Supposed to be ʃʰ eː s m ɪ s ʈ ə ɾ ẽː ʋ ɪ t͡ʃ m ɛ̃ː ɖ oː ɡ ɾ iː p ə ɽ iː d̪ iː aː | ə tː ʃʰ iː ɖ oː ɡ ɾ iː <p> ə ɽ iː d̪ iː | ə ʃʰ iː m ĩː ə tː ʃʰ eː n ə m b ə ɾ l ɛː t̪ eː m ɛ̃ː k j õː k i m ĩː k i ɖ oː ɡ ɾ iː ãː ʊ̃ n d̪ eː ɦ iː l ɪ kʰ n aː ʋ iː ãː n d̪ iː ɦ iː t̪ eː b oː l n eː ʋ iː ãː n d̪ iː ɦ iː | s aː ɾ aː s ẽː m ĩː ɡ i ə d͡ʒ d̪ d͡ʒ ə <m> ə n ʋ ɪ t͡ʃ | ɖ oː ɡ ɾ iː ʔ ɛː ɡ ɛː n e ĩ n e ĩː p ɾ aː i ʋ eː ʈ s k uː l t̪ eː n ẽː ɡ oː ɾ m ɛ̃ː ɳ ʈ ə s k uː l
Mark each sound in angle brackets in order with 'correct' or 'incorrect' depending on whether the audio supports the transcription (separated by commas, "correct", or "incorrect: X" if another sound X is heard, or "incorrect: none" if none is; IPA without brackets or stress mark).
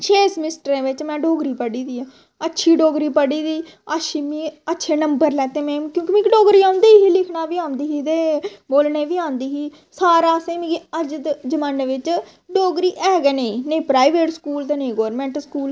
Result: correct, correct